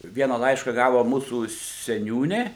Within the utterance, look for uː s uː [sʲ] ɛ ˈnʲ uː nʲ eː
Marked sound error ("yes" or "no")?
no